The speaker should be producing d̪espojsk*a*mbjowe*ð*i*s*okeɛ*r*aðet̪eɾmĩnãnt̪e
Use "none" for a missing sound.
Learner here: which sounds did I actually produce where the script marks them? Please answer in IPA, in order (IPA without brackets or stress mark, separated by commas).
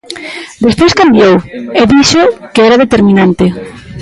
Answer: a, ð, ʃ, ɾ